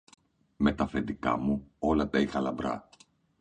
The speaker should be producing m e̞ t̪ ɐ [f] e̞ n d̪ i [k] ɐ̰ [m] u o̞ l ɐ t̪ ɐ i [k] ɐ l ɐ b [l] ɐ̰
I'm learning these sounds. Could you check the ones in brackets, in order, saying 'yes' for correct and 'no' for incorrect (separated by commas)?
yes, yes, yes, no, no